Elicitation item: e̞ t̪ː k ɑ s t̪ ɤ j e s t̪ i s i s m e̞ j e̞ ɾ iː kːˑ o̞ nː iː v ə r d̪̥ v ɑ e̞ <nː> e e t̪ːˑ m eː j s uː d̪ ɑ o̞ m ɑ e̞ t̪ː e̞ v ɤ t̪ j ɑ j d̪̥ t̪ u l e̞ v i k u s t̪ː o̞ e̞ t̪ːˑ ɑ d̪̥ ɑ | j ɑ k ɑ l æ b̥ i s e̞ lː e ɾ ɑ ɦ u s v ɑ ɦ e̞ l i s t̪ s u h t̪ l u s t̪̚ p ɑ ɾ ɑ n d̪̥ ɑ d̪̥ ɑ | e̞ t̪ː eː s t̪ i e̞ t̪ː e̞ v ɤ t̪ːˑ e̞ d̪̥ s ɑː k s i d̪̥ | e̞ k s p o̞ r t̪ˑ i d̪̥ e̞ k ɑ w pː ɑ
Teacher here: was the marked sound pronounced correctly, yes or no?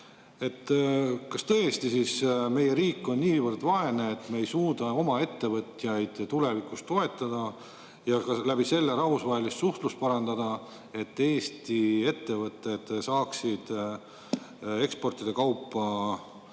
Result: no